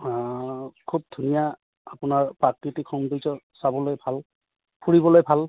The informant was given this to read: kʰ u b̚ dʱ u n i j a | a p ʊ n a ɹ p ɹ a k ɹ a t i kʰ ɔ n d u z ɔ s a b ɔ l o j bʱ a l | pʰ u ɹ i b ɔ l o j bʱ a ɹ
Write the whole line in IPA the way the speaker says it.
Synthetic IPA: kʰ u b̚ dʱ u n i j a | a p ʊ n a ɹ p ɹ a k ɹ i t i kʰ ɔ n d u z ɔ s a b ɔ l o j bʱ a l | pʰ u ɹ i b ɔ l o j bʱ a l